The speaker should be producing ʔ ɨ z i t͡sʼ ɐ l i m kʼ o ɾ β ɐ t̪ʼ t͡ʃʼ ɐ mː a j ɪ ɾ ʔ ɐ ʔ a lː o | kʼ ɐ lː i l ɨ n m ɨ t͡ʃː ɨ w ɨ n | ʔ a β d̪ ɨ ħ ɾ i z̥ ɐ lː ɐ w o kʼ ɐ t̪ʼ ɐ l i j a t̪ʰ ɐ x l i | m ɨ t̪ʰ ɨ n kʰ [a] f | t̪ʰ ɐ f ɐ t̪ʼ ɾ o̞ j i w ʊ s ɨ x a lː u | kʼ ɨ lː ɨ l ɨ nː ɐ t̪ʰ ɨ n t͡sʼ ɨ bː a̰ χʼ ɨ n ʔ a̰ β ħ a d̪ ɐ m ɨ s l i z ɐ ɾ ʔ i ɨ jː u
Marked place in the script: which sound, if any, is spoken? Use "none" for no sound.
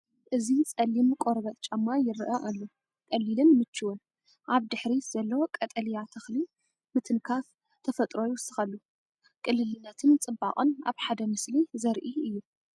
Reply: a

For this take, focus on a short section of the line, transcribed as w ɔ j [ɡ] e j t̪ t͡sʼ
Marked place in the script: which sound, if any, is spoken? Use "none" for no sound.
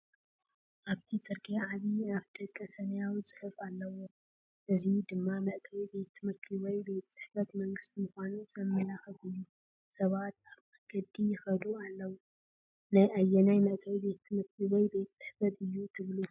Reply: b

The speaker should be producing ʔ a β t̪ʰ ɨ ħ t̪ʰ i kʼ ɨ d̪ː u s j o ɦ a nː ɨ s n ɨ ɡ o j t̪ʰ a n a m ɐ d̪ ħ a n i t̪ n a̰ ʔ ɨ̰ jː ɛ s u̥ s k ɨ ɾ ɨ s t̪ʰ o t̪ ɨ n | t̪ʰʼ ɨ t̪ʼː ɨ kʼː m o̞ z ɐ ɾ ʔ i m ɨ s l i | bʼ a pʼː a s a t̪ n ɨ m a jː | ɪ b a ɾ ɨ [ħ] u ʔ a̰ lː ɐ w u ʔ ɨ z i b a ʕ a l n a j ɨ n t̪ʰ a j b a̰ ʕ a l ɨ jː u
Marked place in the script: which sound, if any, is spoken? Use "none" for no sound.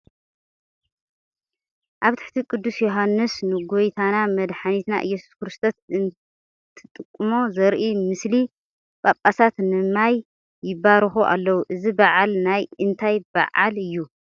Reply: x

